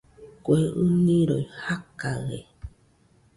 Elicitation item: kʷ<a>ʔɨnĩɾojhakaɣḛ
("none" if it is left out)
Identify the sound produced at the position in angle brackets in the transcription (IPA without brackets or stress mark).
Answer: e